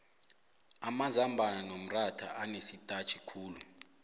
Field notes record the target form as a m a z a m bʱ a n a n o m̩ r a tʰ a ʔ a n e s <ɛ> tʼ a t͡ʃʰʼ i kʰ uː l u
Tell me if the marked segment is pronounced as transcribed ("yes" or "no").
no